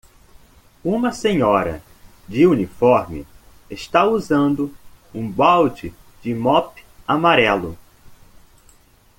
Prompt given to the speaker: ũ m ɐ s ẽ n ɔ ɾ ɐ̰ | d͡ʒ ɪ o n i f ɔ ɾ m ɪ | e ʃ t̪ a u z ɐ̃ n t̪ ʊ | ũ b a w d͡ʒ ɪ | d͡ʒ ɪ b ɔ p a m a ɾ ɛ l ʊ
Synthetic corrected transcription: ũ m ɐ s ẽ ɲ ɔ ɾ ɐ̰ | d͡ʒ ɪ u n i f ɔ ɾ m ɪ | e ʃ t̪ a u z ɐ̃ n d̪ ʊ | ũ b a w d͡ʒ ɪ | d͡ʒ ɪ m ɔ p a m a ɾ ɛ l ʊ

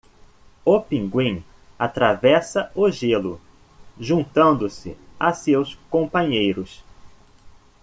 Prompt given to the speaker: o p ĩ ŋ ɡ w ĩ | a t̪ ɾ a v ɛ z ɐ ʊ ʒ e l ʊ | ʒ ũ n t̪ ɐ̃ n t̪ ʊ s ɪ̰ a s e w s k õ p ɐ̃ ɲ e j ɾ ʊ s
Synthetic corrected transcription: o p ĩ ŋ ɡ w ĩ | a t̪ ɾ a v ɛ s ɐ ʊ ʒ e l ʊ | ʒ ũ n t̪ ɐ̃ n d̪ ʊ s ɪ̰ a s e w s k õ p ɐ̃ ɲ e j ɾ ʊ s

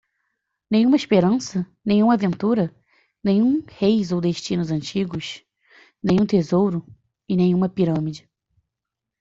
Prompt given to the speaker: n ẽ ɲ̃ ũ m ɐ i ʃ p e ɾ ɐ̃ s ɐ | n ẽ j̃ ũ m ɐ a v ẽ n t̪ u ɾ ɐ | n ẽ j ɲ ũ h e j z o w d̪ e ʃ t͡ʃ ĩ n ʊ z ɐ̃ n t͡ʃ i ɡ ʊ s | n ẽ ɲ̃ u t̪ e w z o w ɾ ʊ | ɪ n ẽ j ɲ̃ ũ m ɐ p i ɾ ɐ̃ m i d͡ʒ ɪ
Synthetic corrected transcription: n ẽ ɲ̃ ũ m ɐ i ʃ p e ɾ ɐ̃ s ɐ | n ẽ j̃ ũ m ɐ a v ẽ n t̪ u ɾ ɐ | n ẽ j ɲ ũ h e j z o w d̪ e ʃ t͡ʃ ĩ n ʊ z ɐ̃ n t͡ʃ i ɡ ʊ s | n ẽ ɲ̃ ũ t̪ e z o w ɾ ʊ | ɪ n ẽ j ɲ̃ ũ m ɐ p i ɾ ɐ̃ m i d͡ʒ ɪ

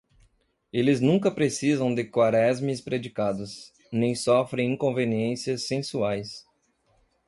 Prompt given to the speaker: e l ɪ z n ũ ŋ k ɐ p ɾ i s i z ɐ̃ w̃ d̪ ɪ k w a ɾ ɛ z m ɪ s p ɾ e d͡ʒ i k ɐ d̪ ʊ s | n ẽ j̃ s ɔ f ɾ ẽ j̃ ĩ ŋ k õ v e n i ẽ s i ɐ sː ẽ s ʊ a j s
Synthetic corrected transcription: e l ɪ z n ũ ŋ k ɐ p ɾ e s i z ɐ̃ w̃ d̪ ɪ k w a ɾ ɛ z m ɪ s p ɾ e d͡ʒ i k a d̪ ʊ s | n ẽ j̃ s ɔ f ɾ ẽ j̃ ĩ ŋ k õ v e n i ẽ s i ɐ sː ẽ s u a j s

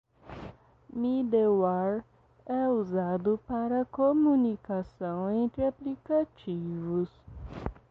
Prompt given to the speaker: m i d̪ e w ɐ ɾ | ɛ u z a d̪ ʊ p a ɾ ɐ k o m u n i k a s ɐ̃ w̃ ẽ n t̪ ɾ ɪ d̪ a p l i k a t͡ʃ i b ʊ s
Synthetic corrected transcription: m i d̪ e w a ɾ | ɛ u z a d̪ ʊ p a ɾ ɐ k o m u n i k a s ɐ̃ w̃ ẽ n t̪ ɾ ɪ a p l i k a t͡ʃ i v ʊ s

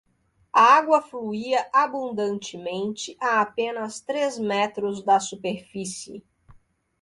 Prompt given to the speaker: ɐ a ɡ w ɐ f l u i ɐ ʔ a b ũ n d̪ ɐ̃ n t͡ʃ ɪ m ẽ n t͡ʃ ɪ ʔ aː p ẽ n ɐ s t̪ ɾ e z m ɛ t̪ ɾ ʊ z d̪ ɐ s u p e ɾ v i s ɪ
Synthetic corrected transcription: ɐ a ɡ w ɐ f l u i ɐ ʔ a b ũ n d̪ ɐ̃ n t͡ʃ ɪ m ẽ n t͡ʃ ɪ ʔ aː p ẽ n ɐ s t̪ ɾ e z m ɛ t̪ ɾ ʊ z d̪ ɐ s u p e ɾ f i s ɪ

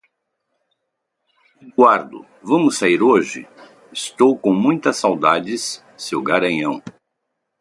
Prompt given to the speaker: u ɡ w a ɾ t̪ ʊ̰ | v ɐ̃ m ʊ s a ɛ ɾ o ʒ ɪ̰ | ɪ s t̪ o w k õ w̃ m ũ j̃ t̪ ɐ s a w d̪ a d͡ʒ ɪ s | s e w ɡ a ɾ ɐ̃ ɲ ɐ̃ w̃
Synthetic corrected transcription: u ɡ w a ɾ d̪ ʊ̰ | v ɐ̃ m ʊ s a i ɾ o ʒ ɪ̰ | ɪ s t̪ o w k õ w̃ m ũ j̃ t̪ ɐ s a w d̪ a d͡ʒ ɪ s | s e w ɡ a ɾ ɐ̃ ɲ ɐ̃ w̃

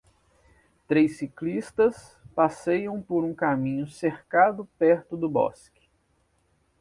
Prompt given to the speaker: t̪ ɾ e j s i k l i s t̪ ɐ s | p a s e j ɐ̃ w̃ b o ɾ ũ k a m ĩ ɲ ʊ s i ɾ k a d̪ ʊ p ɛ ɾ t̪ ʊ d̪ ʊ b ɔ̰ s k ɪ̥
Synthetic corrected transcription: t̪ ɾ e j s i k l i s t̪ ɐ s | p a s e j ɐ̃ w̃ p o ɾ ũ k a m ĩ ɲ ʊ s e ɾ k a d̪ ʊ p ɛ ɾ t̪ ʊ d̪ ʊ b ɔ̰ s k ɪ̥

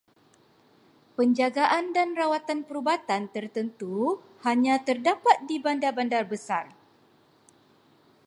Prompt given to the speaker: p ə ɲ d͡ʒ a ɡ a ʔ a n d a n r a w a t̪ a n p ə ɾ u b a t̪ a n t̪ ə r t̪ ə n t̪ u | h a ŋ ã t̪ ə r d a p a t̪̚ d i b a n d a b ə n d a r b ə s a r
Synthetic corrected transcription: p ə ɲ d͡ʒ a ɡ a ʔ a n d a n r a w a t̪ a n p ə ɾ u b a t̪ a n t̪ ə r t̪ ə n t̪ u | h a ɲ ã t̪ ə r d a p a t̪̚ d i b a n d a b a n d a r b ə s a r

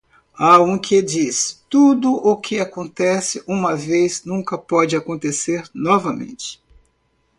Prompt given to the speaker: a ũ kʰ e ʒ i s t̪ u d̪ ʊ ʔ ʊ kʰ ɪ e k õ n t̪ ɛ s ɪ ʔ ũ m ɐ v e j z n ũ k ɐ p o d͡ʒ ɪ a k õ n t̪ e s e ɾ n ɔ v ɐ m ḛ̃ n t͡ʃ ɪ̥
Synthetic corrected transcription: a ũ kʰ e d͡ʒ i s t̪ u d̪ ʊ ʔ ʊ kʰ ɪ a k õ n t̪ ɛ s ɪ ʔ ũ m ɐ v e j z n ũ k ɐ p ɔ d͡ʒ ɪ a k õ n t̪ e s e ɾ n ɔ v ɐ m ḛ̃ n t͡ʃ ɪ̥

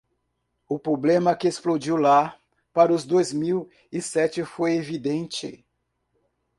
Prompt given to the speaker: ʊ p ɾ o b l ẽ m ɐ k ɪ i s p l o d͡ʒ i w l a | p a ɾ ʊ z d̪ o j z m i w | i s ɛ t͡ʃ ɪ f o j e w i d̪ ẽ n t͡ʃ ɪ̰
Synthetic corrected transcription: ʊ p ɾ o b l ẽ m ɐ k ɪ e s p l o d͡ʒ i w l a | p a ɾ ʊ z d̪ o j z m i w | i s ɛ t͡ʃ ɪ f o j e v i d̪ ẽ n t͡ʃ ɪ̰

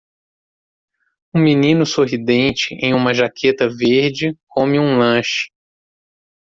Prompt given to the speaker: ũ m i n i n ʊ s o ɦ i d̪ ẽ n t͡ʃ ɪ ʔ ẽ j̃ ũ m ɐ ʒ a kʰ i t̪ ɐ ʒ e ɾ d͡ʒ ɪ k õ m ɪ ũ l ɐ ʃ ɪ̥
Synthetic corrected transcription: ũ m i n ĩ n ʊ s o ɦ i d̪ ẽ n t͡ʃ ɪ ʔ ẽ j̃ ũ m ɐ ʒ a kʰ e t̪ ɐ v e ɾ d͡ʒ ɪ k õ m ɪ ũ l ɐ̃ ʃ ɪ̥

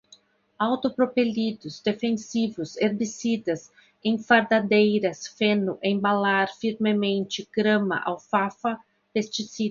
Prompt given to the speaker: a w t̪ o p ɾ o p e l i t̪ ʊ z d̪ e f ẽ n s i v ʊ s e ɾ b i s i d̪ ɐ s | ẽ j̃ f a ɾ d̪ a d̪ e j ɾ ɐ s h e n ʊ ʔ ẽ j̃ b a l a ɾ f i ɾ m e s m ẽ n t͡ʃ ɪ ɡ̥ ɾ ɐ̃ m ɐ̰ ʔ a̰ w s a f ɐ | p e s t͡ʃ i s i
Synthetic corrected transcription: a w t̪ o p ɾ o p e l i d̪ ʊ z d̪ e f ẽ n s i v ʊ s e ɾ b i s i d̪ ɐ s | ẽ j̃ f a ɾ d̪ a d̪ e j ɾ ɐ s f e n ʊ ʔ ẽ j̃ b a l a ɾ f i ɾ m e m ẽ n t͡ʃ ɪ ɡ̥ ɾ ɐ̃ m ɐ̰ ʔ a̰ w f a f ɐ | p e s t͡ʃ i s i

